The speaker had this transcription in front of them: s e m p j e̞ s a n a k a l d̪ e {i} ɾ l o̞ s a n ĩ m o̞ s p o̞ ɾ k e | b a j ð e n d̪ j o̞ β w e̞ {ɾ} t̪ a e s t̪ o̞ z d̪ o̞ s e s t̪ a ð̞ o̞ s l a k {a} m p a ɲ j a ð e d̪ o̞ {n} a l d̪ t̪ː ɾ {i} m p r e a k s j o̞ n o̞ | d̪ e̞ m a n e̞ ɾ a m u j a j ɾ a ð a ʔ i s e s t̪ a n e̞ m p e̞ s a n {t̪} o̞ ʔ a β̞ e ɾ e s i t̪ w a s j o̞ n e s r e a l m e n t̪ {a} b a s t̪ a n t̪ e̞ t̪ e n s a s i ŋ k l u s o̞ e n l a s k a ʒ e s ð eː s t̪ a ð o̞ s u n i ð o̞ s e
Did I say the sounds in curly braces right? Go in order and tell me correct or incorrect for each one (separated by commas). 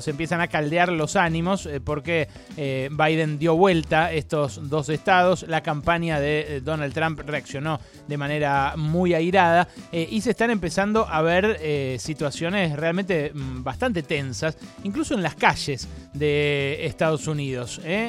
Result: incorrect, incorrect, correct, correct, incorrect, incorrect, incorrect